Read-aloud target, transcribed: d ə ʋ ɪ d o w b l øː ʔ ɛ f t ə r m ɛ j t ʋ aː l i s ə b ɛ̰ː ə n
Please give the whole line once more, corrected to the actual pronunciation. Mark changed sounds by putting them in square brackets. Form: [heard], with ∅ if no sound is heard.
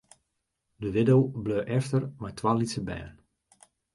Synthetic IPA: d ə ʋ ɪ d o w b l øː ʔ ɛ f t ə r m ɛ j t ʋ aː l i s ə b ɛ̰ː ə n